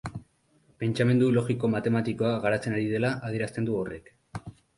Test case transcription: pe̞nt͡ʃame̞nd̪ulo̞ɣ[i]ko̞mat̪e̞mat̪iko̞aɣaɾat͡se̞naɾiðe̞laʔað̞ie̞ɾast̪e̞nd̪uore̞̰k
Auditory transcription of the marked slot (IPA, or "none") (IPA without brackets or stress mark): i